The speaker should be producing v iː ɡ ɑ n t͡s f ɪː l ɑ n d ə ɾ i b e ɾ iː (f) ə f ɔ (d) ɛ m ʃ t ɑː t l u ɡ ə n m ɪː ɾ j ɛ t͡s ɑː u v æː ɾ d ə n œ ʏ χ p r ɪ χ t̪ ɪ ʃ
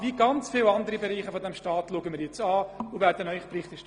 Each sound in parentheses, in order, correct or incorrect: incorrect, correct

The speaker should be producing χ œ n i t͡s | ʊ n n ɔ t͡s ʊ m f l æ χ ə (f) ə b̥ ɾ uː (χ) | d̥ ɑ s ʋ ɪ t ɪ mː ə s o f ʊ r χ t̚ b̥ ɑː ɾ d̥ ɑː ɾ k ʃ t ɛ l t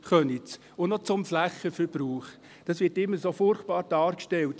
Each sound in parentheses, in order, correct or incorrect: correct, correct

